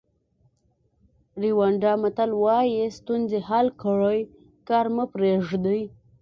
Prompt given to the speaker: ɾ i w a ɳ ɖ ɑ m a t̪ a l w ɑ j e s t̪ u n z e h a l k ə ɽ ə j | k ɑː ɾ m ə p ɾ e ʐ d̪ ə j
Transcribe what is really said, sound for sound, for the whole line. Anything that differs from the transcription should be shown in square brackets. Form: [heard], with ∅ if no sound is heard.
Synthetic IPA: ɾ i w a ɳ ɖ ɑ m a t̪ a l w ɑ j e s t̪ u n z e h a l k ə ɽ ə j | k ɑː ɾ m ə p ɾ e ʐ d̪ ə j